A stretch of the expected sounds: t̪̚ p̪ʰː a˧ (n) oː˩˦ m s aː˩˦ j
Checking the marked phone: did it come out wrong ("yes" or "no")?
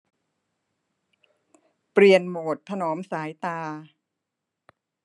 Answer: no